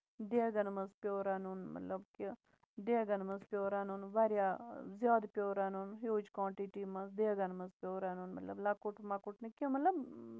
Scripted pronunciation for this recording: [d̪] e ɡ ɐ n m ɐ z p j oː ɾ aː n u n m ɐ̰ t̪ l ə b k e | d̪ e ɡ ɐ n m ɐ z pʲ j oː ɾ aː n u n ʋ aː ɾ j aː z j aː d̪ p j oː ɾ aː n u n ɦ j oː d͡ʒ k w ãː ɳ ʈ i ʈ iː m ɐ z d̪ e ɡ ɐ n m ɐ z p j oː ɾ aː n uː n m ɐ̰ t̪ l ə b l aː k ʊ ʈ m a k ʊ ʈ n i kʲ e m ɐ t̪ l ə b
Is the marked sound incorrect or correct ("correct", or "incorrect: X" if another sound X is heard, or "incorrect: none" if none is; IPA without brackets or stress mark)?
correct